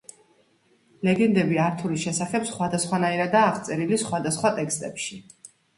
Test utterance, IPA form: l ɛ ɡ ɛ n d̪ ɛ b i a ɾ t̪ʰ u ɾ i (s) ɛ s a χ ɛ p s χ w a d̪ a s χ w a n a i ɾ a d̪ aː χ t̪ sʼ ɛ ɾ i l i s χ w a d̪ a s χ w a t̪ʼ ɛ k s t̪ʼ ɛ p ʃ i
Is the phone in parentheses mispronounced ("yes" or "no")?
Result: yes